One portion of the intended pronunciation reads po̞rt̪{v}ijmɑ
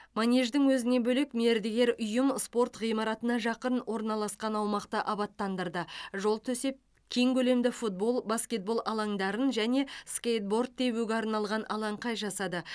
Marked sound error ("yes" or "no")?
yes